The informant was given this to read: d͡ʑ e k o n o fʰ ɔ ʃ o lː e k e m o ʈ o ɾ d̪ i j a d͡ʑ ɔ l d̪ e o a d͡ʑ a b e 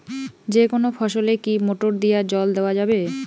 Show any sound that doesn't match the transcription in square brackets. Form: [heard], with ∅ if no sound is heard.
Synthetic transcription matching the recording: d͡ʑ e k o n o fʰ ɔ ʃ o [l] e k [i] m o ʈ o ɾ d̪ i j a d͡ʑ ɔ l d̪ e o a d͡ʑ a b e